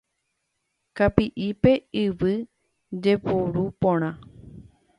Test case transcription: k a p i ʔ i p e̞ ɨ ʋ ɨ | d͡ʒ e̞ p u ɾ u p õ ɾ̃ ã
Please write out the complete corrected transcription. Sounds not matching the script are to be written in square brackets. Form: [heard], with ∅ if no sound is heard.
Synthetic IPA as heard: k a p i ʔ i p e̞ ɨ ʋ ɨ | d͡ʒ e̞ p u ɾ u p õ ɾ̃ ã